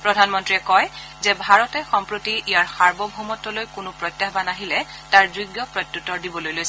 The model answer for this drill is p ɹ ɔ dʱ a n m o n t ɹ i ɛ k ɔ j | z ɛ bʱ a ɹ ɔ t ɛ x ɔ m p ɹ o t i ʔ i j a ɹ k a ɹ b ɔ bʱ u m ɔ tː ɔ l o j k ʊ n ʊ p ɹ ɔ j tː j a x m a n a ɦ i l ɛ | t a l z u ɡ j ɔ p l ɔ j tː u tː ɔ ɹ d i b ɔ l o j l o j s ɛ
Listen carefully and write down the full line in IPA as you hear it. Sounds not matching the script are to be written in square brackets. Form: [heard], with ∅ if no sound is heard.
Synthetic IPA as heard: p ɹ ɔ dʱ a n m [ɔ] n t ɹ i ɛ k ɔ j | z ɛ bʱ a ɹ ɔ t ɛ x ɔ m p ɹ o t i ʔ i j a ɹ [x] a ɹ b ɔ bʱ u m ɔ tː ɔ l o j k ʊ n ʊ p ɹ ɔ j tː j a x [b] a n a ɦ i l ɛ | t a [ɹ] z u ɡ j ɔ p [ɹ] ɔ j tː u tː ɔ ɹ d i b ɔ l o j l o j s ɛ